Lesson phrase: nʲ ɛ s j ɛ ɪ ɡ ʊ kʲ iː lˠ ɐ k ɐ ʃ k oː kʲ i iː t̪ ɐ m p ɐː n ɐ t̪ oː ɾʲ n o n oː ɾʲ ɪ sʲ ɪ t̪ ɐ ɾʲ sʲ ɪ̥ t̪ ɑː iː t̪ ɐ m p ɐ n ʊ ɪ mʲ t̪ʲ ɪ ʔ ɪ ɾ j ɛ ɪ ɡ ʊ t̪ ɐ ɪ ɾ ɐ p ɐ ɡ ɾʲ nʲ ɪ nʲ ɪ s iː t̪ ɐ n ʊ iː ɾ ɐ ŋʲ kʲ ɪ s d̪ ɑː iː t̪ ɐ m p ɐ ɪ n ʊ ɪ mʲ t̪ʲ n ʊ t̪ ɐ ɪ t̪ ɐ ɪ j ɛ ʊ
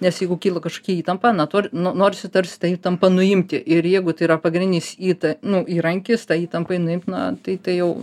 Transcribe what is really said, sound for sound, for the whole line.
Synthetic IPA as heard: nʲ ɛ s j ɛ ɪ ɡ ʊ kʲ iː lˠ ɐ k ɐ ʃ k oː kʲ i iː t̪ ɐ m p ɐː n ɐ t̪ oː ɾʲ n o n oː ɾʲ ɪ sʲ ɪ t̪ ɐ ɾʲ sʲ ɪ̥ t̪ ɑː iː t̪ ɐ m p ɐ n ʊ ɪ mʲ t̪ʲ ɪ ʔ ɪ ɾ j ɛ ɪ ɡ ʊ t̪ ɐ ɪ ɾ ɐ p ɐ ɡ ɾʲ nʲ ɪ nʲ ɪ s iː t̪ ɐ n ʊ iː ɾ ɐ ŋʲ kʲ ɪ s t̪ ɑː iː t̪ ɐ m p ɐ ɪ n ʊ ɪ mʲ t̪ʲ n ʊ t̪ ɐ ɪ t̪ ɐ ɪ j ɛ ʊ

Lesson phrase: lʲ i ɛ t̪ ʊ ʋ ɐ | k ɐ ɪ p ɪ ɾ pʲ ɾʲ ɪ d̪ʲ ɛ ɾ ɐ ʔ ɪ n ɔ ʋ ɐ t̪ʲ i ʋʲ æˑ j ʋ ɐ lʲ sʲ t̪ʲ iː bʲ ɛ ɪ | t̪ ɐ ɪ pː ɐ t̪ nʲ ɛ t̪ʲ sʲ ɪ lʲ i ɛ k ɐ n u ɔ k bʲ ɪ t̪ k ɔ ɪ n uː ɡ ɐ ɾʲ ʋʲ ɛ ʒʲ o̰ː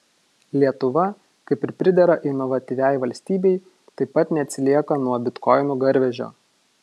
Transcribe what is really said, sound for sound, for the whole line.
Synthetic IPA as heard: lʲ i ɛ t̪ ʊ ʋ ɐ | k ɐ ɪ p ɪ ɾ pʲ ɾʲ ɪ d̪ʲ ɛ ɾ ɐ ʔ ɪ n ɔ ʋ ɐ t̪ʲ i ʋʲ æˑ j ʋ ɐ lʲ sʲ t̪ʲ iː bʲ ɛ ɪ | t̪ ɐ ɪ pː ɐ t̪ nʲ ɛ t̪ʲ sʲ ɪ lʲ i ɛ k ɐ n u ɔ bʲ ɪ t̪ k ɔ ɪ n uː ɡ ɐ ɾʲ ʋʲ ɛ ʒʲ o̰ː

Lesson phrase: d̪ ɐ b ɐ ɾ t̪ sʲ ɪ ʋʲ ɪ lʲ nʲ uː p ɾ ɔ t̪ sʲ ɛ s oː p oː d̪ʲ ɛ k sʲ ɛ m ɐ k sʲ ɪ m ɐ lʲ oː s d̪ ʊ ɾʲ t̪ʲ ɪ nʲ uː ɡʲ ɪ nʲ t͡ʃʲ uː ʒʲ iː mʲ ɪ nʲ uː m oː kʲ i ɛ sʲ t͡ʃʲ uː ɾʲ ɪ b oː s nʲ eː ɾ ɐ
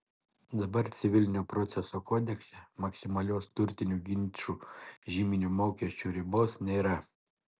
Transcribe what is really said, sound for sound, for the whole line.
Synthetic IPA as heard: d̪ ɐ b ɐ ɾ t̪ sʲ ɪ ʋʲ ɪ lʲ nʲ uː p ɾ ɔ t̪ sʲ ɛ s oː k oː d̪ʲ ɛ k sʲ ɛ m ɐ k sʲ ɪ m ɐ lʲ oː s t̪ ʊ ɾʲ t̪ʲ ɪ nʲ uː ɡʲ ɪ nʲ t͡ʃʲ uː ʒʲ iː mʲ ɪ nʲ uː m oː kʲ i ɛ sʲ t͡ʃʲ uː ɾʲ ɪ b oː s nʲ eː ɾ ɐ

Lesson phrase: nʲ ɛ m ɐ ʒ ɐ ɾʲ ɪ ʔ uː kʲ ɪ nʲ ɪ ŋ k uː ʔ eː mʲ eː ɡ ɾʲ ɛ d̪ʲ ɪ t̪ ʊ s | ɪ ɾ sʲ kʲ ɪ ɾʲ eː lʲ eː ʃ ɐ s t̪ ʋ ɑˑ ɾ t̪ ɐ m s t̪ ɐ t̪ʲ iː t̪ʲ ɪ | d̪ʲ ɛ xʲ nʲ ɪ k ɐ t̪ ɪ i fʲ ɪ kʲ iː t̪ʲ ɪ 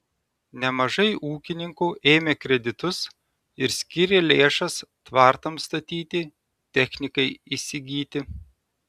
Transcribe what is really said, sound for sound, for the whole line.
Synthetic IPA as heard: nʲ ɛ m ɐ ʒ ɐ ɪ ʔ uː kʲ ɪ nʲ ɪ ŋ k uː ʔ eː mʲ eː k ɾʲ ɛ d̪ʲ ɪ t̪ ʊ s | ɪ ɾ sʲ kʲ ɪ ɾʲ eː lʲ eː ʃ ɐ s t̪ ʋ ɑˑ ɾ t̪ ɐ m s t̪ ɐ t̪ʲ iː t̪ʲ ɪ | t̪ʲ ɛ xʲ nʲ ɪ k ɐ ɪ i sʲ ɪ ɡʲ iː t̪ʲ ɪ

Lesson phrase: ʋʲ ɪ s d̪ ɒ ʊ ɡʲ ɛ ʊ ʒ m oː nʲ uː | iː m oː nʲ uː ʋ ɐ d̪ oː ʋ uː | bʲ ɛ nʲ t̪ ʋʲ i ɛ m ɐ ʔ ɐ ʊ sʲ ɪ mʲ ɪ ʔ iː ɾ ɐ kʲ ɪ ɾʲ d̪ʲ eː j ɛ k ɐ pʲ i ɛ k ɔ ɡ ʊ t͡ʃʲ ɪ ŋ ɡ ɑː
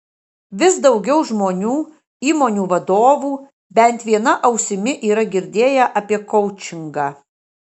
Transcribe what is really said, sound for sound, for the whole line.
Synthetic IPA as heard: ʋʲ ɪ s d̪ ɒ ʊ ɡʲ ɛ ʊ ʒ m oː nʲ uː | iː m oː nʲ uː ʋ ɐ d̪ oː ʋ uː | bʲ ɛ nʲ t̪ ʋʲ i ɛ n ɐ ʔ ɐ ʊ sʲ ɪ mʲ ɪ ʔ iː ɾ ɐ ɡʲ ɪ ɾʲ d̪ʲ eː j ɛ ʔ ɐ pʲ i ɛ k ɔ ʊ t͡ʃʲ ɪ ŋ ɡ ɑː

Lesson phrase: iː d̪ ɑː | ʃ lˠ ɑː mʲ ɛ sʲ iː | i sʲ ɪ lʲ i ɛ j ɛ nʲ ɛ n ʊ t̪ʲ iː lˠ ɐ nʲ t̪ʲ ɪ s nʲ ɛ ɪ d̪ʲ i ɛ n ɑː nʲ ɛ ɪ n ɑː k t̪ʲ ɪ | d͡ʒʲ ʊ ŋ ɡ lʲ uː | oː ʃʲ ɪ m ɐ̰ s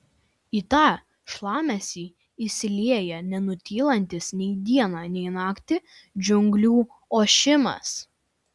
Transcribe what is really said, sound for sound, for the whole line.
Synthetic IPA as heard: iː t̪ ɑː | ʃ lˠ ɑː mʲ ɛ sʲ iː | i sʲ ɪ lʲ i ɛ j ɛ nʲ ɛ n ʊ t̪ʲ iː lˠ ɐ nʲ t̪ʲ ɪ s nʲ ɛ ɪ d̪ʲ i ɛ n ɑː nʲ ɛ ɪ n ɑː k t̪ʲ ɪ | d͡ʒʲ ʊ ŋ ɡ lʲ uː | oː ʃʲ ɪ m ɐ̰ s

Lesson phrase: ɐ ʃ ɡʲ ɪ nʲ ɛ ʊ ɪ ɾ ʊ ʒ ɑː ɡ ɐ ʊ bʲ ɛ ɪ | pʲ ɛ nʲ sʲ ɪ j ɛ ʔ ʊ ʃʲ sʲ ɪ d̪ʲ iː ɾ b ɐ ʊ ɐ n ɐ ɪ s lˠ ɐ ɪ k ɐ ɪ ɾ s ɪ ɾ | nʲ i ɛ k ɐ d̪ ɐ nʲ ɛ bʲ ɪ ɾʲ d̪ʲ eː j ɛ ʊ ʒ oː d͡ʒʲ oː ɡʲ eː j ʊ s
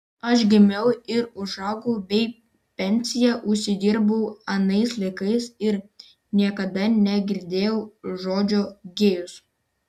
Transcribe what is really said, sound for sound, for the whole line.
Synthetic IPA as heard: ɐ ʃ ɡʲ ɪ mʲ ɛ ʊ ɪ ɾ ʊ ʒ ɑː ɡ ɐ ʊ bʲ ɛ ɪ | pʲ ɛ nʲ sʲ ɪ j ɛ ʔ ʊ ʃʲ sʲ ɪ d̪ʲ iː ɾ b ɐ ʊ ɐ n ɐ ɪ s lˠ ɐ ɪ k ɐ ɪ s ɪ ɾ | nʲ i ɛ k ɐ d̪ ɐ nʲ ɛ ɡʲ ɪ ɾʲ d̪ʲ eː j ɛ ʊ ʒ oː d͡ʒʲ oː ɡʲ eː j ʊ s

